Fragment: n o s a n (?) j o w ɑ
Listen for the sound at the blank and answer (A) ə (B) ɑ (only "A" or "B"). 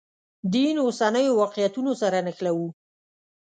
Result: A